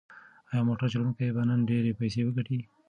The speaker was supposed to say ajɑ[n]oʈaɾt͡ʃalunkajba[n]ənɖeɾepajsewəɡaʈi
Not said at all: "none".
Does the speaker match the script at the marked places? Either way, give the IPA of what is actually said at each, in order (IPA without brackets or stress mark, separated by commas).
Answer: m, n